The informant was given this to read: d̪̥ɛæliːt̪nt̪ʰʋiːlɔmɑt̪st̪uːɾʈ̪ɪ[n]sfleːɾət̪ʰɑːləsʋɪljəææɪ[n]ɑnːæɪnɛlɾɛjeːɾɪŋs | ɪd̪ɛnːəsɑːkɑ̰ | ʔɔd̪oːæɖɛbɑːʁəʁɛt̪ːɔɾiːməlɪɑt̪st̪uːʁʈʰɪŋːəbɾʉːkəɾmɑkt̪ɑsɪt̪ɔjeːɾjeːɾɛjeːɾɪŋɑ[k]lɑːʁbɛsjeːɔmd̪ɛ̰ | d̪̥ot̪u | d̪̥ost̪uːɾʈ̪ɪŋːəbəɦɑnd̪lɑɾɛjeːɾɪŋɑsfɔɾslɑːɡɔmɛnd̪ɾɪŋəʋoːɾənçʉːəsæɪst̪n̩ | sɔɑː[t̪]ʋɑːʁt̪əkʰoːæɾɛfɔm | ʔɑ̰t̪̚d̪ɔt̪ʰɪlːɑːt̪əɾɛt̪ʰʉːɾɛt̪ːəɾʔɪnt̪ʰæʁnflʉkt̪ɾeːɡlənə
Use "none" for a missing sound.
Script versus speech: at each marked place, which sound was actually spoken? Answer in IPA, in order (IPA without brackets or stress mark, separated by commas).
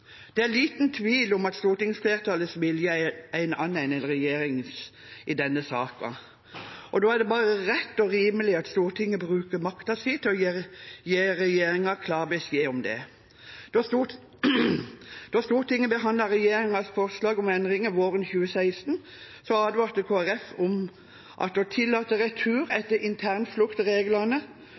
ŋ, n, kʰ, d̪